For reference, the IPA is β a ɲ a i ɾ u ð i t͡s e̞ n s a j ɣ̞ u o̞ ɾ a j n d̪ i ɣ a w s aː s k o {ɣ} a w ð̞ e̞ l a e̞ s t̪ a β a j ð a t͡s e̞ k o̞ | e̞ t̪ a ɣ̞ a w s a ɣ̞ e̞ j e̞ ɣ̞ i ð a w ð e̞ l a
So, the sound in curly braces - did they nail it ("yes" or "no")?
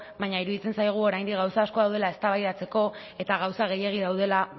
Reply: no